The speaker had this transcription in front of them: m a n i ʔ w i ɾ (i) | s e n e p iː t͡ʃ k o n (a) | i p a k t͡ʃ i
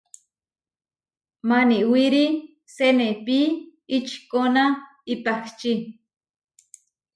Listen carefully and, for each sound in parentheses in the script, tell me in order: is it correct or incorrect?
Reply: correct, correct

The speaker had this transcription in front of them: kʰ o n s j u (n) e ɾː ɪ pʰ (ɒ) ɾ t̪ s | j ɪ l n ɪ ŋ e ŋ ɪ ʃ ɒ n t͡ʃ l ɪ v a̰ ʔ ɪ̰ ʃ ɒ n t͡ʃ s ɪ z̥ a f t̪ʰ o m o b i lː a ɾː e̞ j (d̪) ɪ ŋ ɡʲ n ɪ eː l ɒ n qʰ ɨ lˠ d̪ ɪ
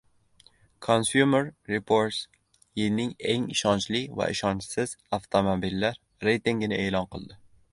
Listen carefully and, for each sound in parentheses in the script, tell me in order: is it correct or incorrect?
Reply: incorrect: m, incorrect: o, incorrect: t̪

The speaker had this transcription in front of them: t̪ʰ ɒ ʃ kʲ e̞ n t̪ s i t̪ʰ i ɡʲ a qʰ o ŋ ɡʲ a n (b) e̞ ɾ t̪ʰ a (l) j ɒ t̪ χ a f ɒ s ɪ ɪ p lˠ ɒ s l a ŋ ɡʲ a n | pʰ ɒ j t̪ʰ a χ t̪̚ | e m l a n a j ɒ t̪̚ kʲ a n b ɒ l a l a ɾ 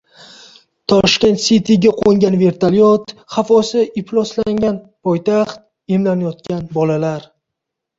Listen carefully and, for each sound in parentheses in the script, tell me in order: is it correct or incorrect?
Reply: incorrect: v, correct

